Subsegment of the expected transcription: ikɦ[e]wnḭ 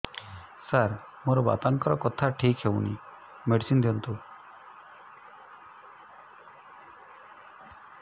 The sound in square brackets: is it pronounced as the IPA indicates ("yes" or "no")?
yes